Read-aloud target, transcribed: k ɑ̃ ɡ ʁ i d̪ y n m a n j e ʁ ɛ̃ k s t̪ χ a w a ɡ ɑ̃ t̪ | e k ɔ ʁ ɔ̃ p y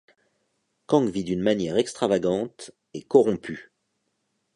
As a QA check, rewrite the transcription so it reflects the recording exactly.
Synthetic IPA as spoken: k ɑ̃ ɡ v i d̪ y n m a n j ɛ ʁ ɛ k s t̪ χ a v a ɡ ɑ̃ t̪ | e k ɔ ʁ ɔ̃ p y